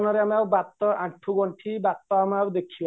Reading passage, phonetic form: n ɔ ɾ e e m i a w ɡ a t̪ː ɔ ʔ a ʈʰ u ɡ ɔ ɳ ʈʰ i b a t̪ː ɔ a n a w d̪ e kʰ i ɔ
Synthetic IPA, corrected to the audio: n ɔ ɾ e a m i a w b a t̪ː ɔ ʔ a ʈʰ u ɡ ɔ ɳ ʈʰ i b a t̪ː ɔ a m a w d̪ e kʰ i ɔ